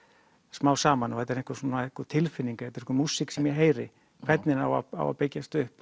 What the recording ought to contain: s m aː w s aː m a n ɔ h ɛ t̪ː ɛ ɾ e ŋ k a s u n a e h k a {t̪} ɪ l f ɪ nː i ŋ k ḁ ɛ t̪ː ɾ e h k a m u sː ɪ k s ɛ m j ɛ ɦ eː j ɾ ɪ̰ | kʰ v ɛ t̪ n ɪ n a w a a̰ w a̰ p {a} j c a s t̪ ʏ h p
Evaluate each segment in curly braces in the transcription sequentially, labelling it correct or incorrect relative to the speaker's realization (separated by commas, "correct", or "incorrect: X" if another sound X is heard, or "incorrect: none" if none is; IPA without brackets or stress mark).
incorrect: t̪ʰ, incorrect: e